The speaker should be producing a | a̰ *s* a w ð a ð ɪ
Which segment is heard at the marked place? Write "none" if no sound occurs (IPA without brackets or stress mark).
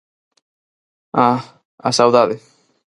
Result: s